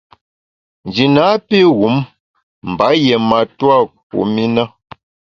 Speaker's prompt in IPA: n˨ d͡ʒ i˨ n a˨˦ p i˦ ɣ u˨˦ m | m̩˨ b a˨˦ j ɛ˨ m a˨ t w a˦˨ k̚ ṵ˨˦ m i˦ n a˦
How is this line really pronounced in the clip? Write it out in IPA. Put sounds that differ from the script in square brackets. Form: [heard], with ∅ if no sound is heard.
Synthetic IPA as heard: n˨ d͡ʒ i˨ n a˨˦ p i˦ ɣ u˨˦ m | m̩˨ b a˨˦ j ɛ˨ m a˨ t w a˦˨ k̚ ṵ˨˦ m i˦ n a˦